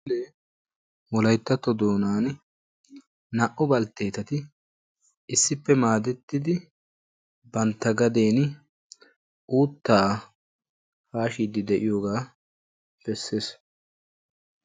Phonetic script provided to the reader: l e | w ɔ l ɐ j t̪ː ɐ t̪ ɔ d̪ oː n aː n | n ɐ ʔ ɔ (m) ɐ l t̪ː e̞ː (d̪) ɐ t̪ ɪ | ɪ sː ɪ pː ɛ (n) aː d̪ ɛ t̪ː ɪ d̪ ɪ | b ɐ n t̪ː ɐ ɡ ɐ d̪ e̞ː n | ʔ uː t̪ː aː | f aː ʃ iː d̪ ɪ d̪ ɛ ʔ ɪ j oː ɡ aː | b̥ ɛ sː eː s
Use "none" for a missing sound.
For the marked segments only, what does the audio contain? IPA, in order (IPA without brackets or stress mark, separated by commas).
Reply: b, t̪, m